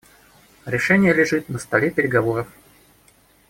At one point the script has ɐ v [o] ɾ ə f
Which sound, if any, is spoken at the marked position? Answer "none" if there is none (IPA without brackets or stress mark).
o